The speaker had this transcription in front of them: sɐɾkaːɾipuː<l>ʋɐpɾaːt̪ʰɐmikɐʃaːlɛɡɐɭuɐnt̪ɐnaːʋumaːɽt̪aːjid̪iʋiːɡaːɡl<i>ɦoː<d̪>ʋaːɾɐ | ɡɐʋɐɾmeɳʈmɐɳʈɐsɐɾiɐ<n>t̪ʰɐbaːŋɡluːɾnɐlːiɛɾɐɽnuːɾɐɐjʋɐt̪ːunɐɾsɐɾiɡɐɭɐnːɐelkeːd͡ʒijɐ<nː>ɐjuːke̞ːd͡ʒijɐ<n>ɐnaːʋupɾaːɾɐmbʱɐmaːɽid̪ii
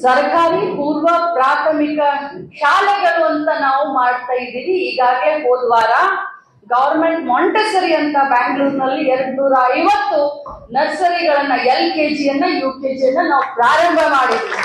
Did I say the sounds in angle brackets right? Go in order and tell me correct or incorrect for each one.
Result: incorrect, incorrect, correct, correct, correct, incorrect

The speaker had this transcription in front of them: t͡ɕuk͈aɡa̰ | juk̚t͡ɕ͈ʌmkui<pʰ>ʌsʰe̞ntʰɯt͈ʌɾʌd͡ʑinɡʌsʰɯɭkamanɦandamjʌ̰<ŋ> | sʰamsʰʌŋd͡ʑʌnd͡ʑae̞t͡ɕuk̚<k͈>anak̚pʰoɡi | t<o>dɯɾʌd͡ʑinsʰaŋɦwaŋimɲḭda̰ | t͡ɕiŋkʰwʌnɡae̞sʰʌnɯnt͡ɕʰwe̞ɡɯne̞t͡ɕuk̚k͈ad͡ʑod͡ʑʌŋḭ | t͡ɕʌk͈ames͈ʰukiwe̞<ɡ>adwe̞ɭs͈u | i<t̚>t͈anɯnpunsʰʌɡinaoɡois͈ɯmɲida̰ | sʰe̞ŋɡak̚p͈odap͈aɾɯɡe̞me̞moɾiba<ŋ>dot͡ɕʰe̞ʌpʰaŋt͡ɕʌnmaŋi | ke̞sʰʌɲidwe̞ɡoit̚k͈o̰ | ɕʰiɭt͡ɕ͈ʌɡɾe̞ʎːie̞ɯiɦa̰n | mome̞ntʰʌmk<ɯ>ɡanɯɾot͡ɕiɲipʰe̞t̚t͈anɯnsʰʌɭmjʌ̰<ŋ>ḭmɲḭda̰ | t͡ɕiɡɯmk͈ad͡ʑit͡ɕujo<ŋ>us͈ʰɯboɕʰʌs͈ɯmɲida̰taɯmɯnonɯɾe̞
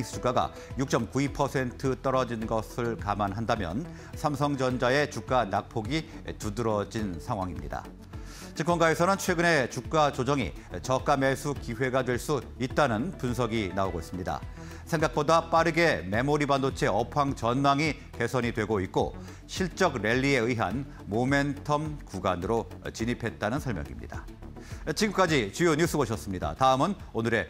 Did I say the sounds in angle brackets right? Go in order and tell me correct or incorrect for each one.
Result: correct, incorrect, correct, incorrect, correct, correct, incorrect, incorrect, correct, incorrect

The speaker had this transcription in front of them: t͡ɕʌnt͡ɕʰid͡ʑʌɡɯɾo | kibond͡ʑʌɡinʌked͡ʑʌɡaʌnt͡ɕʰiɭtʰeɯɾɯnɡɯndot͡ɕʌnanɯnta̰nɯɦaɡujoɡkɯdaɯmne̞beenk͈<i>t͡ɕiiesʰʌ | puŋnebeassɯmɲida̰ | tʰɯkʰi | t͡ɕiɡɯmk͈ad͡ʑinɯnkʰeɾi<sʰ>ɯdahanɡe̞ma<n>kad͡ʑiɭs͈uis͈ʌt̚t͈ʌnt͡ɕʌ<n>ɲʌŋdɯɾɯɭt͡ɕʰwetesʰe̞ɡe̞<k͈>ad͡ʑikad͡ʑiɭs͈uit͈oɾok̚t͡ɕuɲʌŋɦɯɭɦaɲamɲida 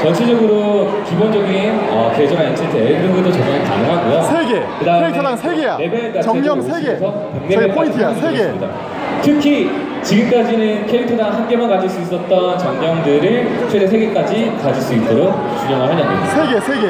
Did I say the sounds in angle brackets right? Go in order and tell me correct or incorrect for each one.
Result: incorrect, incorrect, correct, incorrect, correct

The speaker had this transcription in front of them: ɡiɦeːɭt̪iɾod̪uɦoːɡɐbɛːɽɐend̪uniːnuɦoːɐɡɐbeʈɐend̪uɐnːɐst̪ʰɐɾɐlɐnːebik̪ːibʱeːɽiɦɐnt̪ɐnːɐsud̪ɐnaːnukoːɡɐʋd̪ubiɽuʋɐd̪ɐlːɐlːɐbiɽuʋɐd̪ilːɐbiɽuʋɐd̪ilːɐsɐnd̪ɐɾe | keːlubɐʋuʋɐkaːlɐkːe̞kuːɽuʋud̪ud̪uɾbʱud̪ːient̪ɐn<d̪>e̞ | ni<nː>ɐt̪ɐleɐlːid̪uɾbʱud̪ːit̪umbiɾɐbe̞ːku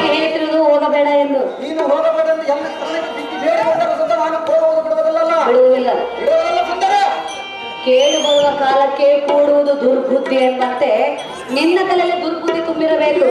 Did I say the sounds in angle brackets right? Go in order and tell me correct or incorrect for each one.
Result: incorrect, correct

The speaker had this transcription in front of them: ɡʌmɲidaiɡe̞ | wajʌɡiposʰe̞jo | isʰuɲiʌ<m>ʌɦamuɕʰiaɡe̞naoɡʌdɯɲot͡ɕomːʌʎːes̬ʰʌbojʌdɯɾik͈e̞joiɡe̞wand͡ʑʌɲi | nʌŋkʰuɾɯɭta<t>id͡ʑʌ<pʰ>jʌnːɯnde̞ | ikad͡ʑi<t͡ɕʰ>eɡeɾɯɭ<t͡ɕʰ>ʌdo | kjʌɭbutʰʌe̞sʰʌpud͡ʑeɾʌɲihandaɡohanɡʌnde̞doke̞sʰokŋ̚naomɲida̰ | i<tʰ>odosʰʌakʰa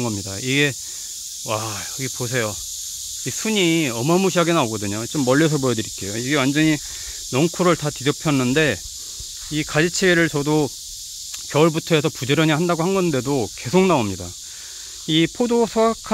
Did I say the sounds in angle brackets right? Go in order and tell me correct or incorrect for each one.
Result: correct, correct, correct, correct, incorrect, incorrect

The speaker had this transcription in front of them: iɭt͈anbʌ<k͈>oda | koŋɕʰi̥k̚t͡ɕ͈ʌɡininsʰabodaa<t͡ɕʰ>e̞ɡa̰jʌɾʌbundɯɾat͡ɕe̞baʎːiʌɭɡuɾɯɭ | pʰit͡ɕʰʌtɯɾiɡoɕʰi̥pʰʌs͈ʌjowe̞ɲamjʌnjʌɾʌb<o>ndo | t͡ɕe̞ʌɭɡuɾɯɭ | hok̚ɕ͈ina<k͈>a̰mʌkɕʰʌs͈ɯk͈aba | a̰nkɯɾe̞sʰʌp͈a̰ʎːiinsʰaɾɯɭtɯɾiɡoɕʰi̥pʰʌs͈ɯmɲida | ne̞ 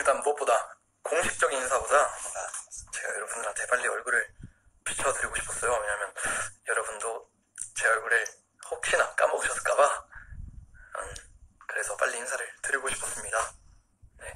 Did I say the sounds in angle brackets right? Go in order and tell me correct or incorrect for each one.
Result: incorrect, incorrect, incorrect, correct

